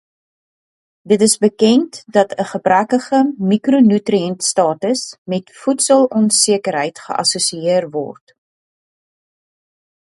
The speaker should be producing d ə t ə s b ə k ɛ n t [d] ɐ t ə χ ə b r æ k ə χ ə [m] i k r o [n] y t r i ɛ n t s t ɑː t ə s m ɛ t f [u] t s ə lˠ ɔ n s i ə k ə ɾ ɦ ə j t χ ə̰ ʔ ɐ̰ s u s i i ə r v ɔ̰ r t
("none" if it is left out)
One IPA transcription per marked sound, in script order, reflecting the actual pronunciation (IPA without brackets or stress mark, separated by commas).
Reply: d, m, n, u